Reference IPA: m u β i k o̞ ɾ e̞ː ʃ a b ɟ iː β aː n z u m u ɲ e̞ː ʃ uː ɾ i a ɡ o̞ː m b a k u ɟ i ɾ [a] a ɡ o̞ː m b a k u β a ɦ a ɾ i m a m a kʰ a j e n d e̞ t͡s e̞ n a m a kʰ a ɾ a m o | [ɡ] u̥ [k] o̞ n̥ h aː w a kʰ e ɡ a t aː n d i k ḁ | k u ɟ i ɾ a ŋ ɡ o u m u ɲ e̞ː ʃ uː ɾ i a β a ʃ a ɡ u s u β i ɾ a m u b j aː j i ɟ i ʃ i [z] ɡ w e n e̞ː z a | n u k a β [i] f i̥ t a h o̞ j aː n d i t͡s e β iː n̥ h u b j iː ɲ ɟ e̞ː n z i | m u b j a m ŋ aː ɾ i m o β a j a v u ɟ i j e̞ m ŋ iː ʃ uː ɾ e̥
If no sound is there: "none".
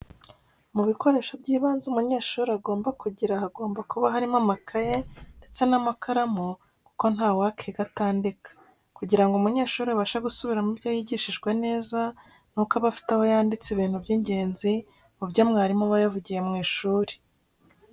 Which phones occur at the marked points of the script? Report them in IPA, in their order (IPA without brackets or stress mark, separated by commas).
a, k, k, ʒ, a